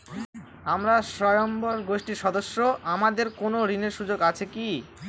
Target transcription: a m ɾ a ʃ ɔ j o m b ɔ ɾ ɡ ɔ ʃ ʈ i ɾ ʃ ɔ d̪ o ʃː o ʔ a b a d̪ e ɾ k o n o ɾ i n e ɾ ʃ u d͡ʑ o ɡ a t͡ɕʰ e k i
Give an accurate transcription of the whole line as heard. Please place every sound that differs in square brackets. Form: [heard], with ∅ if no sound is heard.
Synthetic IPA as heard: a m ɾ a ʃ ɔ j o m b [o] ɾ ɡ [o] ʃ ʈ i ɾ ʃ ɔ d̪ o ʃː o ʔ a [m] a d̪ e ɾ k o n o ɾ i n e ɾ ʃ u d͡ʑ o ɡ a t͡ɕʰ e k i